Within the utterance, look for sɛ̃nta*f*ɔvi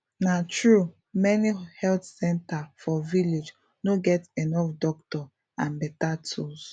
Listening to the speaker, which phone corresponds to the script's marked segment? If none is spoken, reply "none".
f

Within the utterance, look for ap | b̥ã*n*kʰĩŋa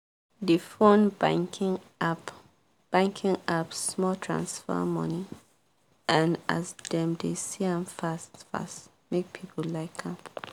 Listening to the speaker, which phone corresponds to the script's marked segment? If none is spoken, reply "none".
ŋ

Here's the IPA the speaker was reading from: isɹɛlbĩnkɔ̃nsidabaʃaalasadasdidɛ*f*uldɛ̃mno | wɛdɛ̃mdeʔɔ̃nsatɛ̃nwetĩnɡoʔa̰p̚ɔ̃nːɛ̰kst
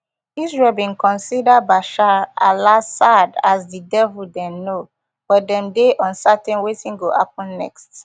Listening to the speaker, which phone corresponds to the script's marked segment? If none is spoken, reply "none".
v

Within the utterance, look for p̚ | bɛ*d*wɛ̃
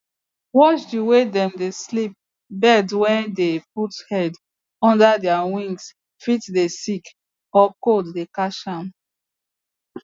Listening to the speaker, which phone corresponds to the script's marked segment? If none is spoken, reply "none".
d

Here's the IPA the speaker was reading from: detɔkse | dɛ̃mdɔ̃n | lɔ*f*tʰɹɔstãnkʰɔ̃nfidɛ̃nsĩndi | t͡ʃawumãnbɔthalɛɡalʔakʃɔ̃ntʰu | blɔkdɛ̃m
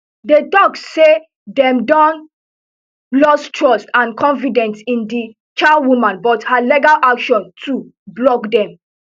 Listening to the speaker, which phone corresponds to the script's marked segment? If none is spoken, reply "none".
s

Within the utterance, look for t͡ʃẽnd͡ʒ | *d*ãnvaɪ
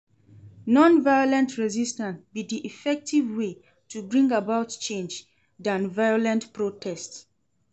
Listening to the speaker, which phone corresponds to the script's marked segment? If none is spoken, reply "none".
d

